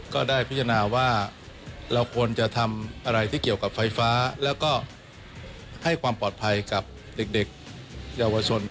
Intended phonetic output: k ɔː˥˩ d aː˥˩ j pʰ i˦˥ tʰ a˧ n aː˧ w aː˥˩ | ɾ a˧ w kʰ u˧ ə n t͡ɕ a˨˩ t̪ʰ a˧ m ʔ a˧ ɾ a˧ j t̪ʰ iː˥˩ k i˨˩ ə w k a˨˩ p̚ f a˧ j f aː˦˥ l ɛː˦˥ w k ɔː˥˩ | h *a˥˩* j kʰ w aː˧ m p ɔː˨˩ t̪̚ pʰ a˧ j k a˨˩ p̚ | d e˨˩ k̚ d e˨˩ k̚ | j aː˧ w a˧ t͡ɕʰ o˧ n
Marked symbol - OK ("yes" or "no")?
yes